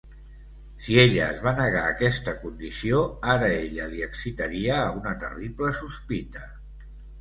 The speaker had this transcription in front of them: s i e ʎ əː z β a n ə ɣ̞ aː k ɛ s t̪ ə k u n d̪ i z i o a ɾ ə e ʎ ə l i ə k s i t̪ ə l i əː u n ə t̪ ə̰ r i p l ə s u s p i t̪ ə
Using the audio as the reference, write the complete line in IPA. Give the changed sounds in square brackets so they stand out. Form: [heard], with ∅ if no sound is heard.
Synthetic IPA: s i e ʎ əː z β a n ə ɣ̞ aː k ɛ s t̪ ə k u n d̪ i [s] i o a ɾ ə e ʎ ə l i ə k s i t̪ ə [ɾ] i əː u n ə t̪ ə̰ r i p l ə s u s p i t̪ ə